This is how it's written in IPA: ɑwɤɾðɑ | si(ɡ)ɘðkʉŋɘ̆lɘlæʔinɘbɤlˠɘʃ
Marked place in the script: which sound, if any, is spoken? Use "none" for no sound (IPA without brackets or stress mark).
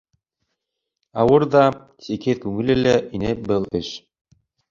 k